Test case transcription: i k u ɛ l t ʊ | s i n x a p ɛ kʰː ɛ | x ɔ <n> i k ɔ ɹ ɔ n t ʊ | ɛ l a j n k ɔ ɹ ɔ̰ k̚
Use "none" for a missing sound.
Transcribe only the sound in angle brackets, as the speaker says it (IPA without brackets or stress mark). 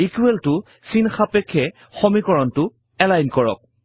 m